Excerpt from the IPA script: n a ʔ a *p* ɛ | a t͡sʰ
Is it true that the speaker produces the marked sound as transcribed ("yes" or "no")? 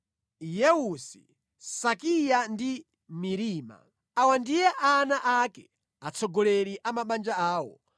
no